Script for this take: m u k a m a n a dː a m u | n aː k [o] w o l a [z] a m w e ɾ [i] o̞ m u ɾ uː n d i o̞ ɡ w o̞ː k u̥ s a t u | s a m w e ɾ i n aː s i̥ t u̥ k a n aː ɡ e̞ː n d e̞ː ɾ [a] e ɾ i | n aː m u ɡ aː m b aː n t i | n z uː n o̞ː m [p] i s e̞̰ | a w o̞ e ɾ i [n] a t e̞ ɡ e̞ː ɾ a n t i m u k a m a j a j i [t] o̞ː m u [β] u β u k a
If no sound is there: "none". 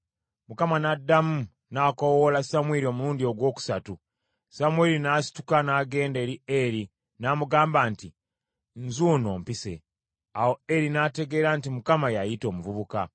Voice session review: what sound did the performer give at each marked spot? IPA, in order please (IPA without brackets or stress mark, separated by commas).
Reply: o, s, i, i, p, n, t, v